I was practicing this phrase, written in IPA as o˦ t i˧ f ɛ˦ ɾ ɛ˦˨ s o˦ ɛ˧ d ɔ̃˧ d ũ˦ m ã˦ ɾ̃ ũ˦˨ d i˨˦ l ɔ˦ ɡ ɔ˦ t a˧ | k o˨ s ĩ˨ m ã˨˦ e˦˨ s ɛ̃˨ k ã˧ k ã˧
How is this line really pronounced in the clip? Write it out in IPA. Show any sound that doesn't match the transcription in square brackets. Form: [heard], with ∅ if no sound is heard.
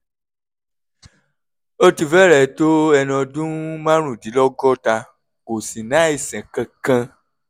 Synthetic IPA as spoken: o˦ t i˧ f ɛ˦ ɾ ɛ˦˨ [t] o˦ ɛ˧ [n] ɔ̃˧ d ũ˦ m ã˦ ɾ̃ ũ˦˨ d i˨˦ l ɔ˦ ɡ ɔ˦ t a˧ | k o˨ s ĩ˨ [n] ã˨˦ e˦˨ s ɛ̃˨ k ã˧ k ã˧

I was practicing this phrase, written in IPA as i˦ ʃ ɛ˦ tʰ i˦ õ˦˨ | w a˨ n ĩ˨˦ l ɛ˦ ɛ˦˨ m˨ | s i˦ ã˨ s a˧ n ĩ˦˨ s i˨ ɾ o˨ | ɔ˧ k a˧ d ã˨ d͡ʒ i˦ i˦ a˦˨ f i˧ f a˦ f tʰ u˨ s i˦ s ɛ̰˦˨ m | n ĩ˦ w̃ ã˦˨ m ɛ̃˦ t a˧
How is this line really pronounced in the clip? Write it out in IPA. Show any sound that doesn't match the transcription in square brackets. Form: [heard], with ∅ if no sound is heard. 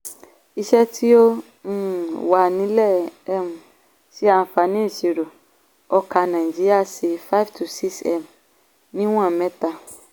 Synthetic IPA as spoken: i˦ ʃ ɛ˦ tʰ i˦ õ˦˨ | w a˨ n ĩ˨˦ l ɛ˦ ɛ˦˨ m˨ | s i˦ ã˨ [f] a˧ n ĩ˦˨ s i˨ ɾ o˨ | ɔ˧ k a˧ [n] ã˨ d͡ʒ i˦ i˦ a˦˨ [s] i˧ f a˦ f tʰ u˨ s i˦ s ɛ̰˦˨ m | n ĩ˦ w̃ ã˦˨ m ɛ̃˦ t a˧

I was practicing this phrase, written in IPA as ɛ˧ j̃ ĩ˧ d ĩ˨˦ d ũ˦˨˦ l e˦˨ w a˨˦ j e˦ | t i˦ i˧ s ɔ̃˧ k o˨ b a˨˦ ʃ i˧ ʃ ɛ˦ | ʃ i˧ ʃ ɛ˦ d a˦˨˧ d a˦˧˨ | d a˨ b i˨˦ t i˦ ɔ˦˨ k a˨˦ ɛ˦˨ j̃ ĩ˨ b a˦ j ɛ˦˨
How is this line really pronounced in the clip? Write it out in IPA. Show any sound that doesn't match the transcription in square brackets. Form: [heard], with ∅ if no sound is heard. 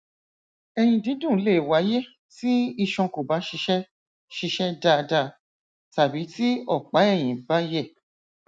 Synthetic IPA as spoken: ɛ˧ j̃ ĩ˧ d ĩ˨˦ d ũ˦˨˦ l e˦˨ w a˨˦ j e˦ | t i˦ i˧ [ʃ] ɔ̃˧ k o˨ b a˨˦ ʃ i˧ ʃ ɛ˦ | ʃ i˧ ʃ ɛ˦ d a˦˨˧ d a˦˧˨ | [t] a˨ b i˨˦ t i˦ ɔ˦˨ [k͡p] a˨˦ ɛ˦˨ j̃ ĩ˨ b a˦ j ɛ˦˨

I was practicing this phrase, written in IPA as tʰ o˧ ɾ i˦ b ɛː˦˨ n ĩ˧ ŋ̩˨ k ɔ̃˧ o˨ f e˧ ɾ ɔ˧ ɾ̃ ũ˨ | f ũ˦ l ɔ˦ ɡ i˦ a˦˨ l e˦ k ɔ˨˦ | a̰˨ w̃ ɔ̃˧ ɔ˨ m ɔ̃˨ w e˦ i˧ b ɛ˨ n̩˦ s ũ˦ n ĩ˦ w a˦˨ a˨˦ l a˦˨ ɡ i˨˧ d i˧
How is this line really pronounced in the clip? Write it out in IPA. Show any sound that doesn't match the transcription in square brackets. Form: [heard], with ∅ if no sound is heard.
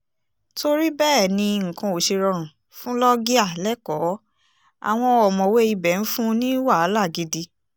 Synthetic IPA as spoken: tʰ o˧ ɾ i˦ b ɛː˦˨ n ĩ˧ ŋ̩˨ k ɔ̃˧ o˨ [ʃ] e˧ ɾ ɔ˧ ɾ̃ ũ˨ | f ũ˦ l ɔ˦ ɡ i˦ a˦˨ l [ɛ˦] k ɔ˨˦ | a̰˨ w̃ ɔ̃˧ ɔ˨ m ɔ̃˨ w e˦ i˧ b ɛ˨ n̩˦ [f] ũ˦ n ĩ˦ w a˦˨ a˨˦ l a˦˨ ɡ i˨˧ d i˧

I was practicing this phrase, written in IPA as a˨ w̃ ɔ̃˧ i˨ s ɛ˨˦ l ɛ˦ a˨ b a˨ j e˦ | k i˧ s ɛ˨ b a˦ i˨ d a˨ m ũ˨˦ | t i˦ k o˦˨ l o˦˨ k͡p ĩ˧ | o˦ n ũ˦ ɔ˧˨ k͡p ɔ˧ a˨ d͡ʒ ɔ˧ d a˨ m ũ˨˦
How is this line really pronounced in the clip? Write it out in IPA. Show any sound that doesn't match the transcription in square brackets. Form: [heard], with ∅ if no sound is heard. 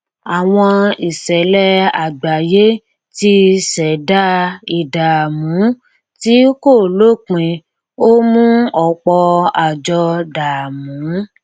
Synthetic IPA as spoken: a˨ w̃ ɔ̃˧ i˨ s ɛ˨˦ l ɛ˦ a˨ [ɡ͡b] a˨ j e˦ | [t] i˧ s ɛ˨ [d] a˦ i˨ d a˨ m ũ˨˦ | t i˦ k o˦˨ l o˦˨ k͡p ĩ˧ | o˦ [m] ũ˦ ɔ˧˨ k͡p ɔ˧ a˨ d͡ʒ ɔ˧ d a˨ m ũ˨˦

